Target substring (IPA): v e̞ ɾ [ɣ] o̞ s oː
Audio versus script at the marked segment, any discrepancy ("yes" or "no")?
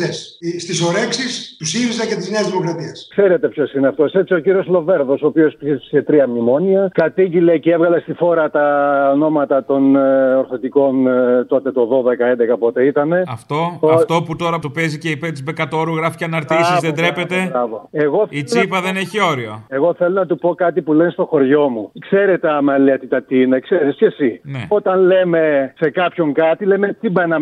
yes